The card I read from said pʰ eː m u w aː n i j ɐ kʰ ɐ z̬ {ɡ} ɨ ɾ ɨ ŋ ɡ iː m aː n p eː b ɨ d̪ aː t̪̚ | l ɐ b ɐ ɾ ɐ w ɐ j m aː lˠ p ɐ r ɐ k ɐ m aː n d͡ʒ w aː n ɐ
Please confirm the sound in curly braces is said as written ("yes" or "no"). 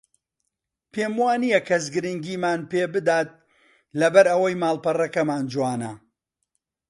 yes